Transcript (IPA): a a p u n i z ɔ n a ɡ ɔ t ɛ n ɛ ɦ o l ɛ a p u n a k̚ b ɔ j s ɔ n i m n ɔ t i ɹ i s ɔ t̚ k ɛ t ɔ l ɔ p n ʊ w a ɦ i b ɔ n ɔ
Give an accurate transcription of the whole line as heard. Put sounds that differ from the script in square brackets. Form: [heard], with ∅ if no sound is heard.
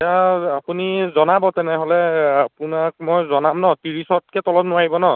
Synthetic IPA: a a p u n i z ɔ n a [b] ɔ t ɛ n ɛ ɦ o l ɛ a p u n a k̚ [m] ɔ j [z] ɔ n [a] m n ɔ t i ɹ i s ɔ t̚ k ɛ t ɔ l ɔ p n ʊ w a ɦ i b ɔ n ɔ